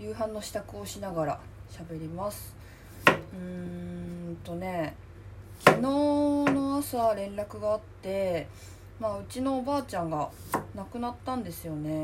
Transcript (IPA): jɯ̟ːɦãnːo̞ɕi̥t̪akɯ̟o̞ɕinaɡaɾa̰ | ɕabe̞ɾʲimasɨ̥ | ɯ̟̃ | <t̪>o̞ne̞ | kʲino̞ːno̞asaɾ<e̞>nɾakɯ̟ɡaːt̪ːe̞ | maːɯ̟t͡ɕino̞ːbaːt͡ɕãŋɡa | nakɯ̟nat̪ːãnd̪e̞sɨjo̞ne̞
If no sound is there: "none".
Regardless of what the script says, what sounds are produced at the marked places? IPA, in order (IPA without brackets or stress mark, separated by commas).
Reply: t̪, ẽ̞